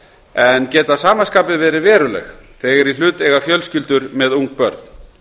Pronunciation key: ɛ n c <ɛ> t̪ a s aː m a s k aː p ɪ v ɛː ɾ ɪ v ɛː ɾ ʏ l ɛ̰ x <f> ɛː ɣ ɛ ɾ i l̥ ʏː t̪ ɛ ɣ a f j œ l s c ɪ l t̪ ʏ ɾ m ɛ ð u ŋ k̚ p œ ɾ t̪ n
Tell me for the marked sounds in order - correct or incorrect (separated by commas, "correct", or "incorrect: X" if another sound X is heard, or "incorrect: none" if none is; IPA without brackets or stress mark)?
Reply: incorrect: ɛː, incorrect: θ